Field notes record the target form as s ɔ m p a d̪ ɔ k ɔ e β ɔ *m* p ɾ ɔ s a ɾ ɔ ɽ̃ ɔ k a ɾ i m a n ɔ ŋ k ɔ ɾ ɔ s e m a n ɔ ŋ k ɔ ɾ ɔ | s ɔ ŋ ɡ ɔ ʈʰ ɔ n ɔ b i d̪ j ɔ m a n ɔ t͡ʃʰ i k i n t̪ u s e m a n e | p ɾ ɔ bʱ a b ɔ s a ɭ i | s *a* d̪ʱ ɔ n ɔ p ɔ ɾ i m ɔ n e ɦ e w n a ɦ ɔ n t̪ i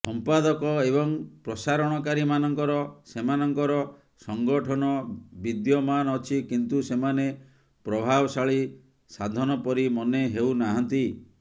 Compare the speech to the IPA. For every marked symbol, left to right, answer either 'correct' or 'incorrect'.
incorrect, correct

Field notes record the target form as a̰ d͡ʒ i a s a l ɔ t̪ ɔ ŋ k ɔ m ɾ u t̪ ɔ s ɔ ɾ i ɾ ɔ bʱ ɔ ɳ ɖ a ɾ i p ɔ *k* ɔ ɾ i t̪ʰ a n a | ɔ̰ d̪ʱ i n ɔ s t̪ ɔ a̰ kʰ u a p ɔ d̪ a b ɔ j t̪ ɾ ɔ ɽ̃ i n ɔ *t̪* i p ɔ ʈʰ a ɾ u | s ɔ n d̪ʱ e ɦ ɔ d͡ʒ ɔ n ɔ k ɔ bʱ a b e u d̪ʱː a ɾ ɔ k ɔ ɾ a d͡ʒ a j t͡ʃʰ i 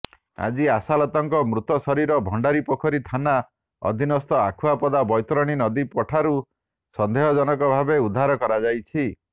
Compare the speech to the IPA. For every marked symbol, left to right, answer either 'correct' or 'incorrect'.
incorrect, incorrect

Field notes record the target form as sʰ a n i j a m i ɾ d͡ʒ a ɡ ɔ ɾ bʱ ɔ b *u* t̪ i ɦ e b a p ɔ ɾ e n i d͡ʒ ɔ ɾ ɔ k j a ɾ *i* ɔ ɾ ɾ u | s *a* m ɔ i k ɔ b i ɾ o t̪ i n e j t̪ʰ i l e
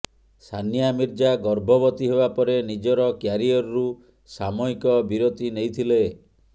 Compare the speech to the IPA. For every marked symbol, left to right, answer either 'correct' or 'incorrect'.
incorrect, correct, correct

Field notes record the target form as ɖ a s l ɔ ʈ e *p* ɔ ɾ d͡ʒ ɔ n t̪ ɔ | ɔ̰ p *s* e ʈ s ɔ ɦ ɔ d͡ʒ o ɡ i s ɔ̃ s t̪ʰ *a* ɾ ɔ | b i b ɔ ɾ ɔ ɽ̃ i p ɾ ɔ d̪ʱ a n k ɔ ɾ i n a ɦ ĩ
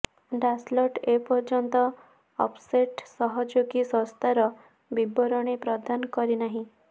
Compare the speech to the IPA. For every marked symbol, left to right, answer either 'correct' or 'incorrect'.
correct, correct, correct

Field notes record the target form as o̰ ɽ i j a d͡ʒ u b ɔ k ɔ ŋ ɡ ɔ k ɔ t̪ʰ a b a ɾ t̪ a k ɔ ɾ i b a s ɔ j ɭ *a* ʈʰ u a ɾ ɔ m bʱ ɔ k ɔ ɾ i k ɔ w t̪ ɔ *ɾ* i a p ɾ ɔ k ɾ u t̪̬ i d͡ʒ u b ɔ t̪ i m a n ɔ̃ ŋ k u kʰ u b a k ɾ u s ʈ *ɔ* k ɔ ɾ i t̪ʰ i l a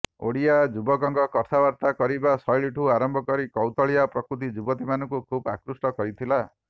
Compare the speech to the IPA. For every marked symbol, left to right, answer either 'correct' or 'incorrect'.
incorrect, incorrect, correct

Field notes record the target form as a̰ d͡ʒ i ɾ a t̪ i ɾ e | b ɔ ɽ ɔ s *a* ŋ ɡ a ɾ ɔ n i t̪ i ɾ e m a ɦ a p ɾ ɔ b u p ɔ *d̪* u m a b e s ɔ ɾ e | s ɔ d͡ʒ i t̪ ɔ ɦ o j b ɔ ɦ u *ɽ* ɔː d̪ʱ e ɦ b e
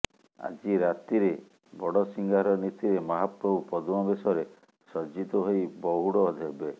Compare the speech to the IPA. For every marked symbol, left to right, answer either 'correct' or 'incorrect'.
incorrect, correct, correct

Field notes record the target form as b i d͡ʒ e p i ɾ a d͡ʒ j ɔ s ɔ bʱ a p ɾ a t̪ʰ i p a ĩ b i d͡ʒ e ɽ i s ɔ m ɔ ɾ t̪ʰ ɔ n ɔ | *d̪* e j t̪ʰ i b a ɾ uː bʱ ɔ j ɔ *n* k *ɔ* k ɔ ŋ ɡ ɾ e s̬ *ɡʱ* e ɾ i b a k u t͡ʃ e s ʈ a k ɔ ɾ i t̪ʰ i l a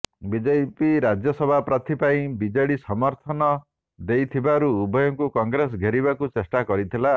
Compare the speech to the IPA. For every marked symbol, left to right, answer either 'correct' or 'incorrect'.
correct, incorrect, incorrect, correct

